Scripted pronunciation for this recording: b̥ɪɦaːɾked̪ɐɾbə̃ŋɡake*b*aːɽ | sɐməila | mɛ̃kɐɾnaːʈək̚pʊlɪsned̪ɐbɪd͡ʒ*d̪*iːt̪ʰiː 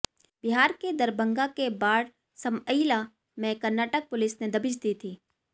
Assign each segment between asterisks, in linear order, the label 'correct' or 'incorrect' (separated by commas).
correct, correct